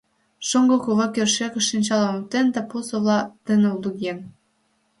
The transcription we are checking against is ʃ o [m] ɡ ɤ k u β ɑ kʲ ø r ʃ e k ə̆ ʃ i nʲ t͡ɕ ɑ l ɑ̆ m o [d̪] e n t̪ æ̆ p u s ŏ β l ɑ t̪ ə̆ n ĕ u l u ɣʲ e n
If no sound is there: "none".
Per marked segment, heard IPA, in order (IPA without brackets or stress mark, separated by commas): ŋ, t̪